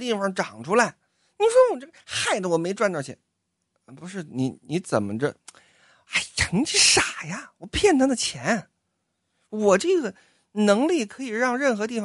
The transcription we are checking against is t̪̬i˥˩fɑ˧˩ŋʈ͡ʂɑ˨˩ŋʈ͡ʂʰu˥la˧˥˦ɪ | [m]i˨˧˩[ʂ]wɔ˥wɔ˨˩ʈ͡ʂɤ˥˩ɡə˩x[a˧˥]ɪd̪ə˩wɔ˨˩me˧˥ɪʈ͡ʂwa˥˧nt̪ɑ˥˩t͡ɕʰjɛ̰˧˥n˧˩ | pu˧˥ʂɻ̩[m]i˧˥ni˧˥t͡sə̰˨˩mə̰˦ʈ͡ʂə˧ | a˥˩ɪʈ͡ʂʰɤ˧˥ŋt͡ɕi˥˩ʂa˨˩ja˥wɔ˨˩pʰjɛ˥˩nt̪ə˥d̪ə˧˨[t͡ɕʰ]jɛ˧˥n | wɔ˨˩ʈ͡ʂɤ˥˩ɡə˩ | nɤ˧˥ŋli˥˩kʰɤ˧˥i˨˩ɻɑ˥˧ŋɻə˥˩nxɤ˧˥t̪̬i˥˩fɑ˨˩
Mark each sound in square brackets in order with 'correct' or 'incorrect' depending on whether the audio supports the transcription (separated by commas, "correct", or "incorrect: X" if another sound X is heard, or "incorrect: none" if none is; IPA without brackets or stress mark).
incorrect: n, correct, incorrect: a˥˩, incorrect: n, correct